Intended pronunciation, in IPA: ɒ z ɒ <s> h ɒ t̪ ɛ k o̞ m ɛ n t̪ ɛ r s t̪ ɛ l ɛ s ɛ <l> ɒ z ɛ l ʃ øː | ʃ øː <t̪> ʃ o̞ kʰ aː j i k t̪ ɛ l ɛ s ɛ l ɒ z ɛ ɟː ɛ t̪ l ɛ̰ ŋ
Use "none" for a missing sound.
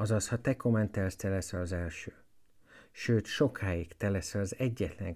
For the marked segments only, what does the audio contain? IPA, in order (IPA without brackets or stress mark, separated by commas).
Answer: s, l, t̪